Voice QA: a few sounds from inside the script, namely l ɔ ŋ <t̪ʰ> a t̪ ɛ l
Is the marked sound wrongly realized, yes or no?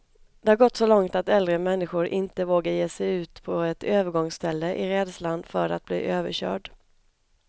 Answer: yes